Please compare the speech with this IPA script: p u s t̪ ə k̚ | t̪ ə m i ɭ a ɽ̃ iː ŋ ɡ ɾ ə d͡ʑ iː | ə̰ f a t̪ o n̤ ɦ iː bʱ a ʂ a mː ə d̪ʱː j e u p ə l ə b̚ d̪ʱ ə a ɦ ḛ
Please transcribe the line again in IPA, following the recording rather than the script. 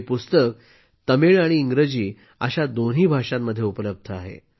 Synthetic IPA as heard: p u s t̪ ə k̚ | t̪ ə m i ɭ a ɽ̃ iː ŋ ɡ ɾ ə d͡ʑ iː | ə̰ ɕ a d̪ o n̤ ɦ iː bʱ a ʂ a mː ə d̪ʱː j e u p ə l ə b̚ d̪ʱ ə a ɦ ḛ